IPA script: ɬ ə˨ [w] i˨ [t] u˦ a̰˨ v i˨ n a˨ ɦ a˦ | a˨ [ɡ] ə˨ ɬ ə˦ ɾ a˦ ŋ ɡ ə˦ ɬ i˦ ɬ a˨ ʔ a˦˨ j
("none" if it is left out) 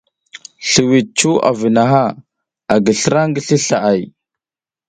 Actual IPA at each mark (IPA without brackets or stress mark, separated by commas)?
w, t͡ʃ, ɡ